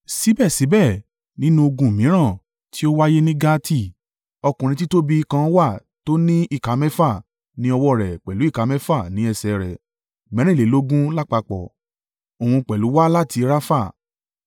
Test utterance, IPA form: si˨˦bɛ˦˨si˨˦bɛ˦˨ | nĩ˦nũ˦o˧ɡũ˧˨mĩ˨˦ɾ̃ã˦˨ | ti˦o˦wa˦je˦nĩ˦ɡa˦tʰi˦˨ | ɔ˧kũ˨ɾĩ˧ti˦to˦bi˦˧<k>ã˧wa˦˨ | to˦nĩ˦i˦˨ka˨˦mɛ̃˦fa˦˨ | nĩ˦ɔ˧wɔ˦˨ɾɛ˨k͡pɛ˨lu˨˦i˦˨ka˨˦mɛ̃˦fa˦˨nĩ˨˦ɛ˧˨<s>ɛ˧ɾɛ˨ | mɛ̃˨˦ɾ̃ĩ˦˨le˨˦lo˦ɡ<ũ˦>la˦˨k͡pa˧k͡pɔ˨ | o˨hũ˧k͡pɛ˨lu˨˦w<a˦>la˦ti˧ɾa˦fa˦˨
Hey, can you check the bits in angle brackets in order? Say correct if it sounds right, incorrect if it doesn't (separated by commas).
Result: correct, correct, correct, correct